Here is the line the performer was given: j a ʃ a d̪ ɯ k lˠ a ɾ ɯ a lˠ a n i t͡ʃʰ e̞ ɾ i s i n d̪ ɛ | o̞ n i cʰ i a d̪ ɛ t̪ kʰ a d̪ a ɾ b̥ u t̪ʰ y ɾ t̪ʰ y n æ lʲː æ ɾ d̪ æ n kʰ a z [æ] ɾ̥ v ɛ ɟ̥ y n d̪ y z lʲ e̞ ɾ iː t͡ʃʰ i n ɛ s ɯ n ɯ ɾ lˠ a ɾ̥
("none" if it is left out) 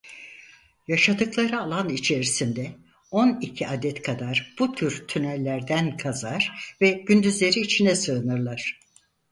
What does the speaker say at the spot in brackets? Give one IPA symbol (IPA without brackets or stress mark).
a